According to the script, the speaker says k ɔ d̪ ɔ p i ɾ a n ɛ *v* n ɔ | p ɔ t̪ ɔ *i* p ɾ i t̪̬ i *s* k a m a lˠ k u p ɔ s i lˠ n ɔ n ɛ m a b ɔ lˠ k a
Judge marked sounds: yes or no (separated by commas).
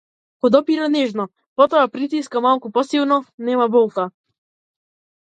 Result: no, no, yes